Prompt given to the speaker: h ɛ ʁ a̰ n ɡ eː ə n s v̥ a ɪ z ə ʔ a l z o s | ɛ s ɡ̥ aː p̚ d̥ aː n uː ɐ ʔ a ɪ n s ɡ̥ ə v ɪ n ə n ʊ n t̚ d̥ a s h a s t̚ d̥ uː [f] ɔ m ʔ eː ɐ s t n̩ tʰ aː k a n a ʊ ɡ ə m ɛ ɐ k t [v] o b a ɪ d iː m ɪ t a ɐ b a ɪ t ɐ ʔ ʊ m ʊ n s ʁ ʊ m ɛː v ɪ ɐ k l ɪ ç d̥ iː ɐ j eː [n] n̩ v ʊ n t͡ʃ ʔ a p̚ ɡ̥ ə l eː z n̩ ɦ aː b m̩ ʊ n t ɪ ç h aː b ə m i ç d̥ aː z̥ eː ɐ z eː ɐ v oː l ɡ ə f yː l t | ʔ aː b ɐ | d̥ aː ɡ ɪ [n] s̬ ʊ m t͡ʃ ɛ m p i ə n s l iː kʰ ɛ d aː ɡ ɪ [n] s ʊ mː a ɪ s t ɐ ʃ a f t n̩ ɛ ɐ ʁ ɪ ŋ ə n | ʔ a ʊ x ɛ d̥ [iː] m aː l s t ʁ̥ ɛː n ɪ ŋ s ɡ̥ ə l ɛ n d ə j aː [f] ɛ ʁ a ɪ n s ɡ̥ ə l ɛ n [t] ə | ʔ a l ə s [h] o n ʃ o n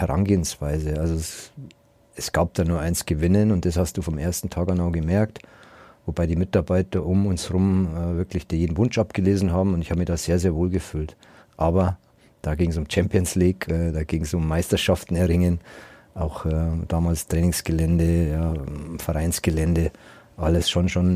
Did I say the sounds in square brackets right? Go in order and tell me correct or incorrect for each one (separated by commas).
correct, correct, incorrect, incorrect, incorrect, incorrect, correct, incorrect, incorrect